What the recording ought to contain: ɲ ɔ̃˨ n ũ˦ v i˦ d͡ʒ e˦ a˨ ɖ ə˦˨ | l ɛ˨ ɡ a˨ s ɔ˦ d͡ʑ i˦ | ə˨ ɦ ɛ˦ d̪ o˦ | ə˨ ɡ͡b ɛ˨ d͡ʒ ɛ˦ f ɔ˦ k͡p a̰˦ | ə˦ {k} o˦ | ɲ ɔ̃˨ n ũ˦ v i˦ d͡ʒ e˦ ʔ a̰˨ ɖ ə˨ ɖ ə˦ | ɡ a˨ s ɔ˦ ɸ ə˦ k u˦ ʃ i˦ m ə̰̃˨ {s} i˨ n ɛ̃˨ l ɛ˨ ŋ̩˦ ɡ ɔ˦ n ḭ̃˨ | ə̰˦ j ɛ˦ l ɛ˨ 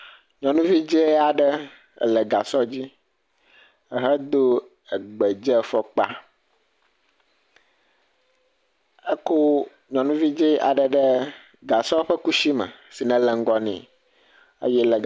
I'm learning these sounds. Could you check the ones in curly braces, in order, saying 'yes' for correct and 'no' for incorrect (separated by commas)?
yes, yes